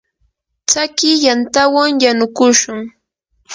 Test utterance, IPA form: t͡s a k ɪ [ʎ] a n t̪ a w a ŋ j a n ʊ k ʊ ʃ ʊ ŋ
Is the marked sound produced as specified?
no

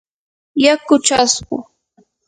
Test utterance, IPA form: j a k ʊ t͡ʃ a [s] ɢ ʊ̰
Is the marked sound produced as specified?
yes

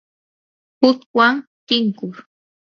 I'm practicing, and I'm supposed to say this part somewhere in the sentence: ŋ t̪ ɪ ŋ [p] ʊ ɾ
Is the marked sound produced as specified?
no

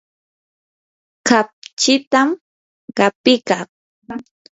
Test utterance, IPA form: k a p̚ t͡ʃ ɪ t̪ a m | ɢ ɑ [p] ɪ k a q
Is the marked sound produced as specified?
yes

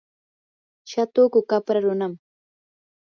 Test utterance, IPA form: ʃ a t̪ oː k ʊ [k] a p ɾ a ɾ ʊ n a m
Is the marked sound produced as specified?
yes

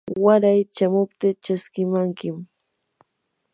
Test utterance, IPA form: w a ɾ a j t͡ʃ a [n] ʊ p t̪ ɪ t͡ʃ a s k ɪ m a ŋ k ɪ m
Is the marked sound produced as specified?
no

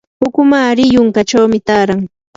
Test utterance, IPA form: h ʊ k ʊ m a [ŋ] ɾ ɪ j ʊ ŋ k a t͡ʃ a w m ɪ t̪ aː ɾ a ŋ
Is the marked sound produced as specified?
no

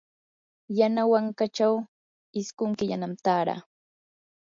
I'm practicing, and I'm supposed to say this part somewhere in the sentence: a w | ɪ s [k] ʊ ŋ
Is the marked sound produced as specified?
yes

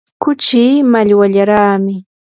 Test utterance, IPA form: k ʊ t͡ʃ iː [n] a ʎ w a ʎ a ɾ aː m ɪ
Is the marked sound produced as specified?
no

